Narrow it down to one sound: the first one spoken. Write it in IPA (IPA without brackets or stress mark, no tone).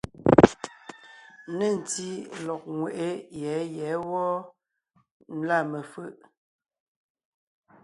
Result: n